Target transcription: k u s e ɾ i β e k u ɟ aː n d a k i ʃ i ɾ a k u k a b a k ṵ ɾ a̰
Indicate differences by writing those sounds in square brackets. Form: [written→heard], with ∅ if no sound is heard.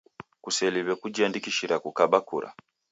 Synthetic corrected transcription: k u s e [ɾ→l] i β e k u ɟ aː n d [a→i] k i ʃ i ɾ a k u k a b a k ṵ ɾ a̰